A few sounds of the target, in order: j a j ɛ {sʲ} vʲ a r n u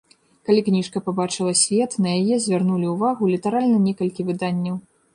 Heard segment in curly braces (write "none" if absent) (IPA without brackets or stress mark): zʲ